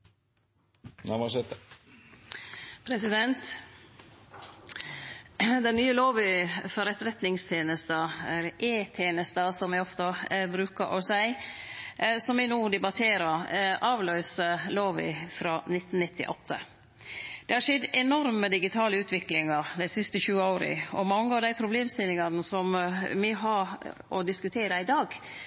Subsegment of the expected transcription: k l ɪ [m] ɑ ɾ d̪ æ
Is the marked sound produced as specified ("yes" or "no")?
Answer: no